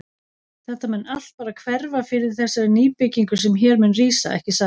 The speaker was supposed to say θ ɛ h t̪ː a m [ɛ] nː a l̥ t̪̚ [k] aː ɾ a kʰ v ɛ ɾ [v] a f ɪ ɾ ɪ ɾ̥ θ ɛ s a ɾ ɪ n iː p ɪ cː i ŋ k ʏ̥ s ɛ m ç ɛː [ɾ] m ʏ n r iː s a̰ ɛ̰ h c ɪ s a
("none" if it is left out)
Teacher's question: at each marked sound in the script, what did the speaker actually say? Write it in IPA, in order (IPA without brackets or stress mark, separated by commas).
ɛ, p, v, ɾ